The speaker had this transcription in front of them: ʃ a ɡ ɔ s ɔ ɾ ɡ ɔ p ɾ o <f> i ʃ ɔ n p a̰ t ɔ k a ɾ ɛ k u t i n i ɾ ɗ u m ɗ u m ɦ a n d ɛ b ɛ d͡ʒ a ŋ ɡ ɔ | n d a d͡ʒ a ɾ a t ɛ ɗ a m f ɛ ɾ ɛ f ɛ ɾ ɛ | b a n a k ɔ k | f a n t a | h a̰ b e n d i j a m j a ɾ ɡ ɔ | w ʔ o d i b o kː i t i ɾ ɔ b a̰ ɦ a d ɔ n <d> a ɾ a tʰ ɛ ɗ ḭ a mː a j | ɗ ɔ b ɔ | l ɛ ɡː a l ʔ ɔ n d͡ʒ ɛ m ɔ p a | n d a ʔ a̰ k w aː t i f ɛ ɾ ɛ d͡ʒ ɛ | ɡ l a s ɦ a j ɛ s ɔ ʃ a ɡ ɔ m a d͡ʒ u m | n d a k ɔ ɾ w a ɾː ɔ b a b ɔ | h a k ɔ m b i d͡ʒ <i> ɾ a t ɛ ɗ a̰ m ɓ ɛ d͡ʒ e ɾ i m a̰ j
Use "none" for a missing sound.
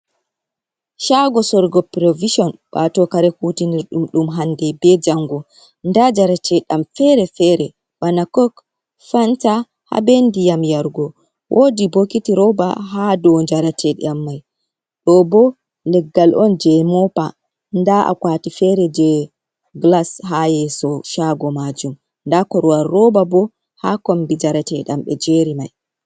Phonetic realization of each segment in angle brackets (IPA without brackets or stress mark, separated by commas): v, d͡ʒ, a